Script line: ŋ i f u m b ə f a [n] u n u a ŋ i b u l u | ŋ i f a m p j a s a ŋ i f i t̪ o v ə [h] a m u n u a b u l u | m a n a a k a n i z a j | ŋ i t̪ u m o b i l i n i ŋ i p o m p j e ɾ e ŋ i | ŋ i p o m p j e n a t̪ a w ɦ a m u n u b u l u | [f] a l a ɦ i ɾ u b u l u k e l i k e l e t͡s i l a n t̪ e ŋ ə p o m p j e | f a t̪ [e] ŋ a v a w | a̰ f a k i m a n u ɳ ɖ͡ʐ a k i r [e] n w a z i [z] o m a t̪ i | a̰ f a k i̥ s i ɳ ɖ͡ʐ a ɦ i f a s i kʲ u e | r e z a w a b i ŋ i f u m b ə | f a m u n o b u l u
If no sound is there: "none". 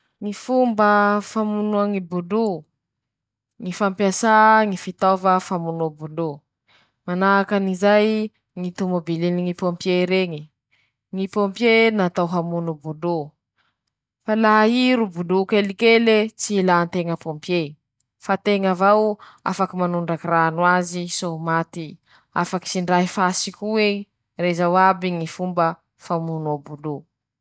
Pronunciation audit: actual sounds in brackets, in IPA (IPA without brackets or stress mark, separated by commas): m, f, f, e, a, s